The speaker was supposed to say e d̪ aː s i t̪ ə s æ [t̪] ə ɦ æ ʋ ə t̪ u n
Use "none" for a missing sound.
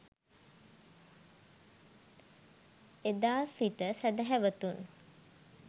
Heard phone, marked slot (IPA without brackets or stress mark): d̪